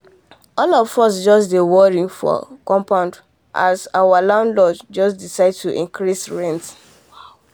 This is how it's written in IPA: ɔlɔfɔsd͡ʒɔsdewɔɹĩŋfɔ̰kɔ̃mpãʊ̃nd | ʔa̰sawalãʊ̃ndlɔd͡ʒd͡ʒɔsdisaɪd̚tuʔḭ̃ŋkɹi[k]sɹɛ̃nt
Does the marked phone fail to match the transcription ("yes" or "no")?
yes